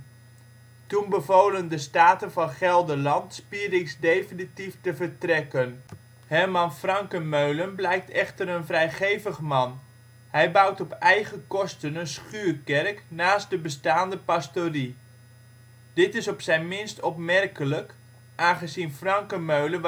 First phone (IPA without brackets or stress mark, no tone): t